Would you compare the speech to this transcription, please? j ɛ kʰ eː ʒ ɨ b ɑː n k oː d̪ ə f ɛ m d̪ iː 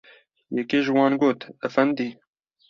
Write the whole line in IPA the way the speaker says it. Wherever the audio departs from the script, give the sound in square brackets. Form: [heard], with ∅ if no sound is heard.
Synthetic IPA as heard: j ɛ [k] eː ʒ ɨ [w] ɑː n [ɡ] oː [t̪] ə f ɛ [n] d̪ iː